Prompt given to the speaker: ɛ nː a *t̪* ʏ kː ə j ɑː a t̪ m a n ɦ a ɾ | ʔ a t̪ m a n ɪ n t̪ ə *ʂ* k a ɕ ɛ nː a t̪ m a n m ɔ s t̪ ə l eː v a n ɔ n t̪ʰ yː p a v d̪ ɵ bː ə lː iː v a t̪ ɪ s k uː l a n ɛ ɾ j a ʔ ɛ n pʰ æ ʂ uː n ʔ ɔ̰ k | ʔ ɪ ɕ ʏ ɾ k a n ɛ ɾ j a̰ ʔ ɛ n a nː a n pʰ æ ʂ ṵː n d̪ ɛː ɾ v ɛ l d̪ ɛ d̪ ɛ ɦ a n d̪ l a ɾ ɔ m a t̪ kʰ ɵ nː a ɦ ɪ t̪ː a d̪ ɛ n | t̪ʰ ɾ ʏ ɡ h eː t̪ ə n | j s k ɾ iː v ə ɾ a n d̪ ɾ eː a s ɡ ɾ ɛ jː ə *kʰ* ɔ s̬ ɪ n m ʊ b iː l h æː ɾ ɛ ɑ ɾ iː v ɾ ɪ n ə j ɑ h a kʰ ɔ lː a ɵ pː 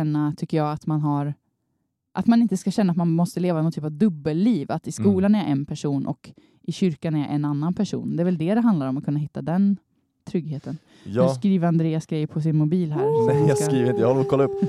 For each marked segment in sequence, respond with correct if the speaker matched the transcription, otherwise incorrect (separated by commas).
incorrect, incorrect, incorrect